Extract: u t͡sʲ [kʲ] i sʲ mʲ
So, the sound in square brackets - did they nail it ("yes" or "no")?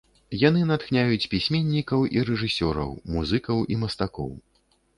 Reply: no